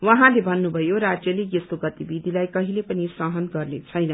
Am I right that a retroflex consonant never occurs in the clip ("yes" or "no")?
yes